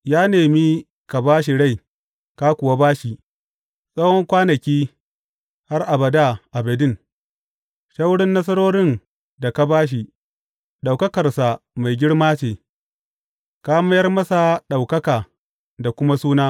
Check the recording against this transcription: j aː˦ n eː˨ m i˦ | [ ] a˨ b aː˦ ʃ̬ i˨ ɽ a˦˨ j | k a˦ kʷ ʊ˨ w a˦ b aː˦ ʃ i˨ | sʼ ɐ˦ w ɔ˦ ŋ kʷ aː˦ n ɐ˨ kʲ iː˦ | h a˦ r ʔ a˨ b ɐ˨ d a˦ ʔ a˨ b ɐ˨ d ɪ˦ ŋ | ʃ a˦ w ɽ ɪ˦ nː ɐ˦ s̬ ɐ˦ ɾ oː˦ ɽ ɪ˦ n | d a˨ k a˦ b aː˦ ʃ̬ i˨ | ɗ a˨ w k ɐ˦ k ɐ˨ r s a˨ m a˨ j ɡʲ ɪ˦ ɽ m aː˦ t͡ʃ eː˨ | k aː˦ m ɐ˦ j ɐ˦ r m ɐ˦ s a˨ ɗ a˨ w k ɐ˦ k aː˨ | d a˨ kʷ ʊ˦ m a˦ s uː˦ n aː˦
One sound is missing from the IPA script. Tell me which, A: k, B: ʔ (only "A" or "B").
A